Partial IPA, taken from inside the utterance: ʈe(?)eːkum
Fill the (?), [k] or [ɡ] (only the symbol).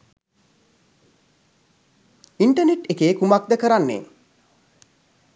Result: k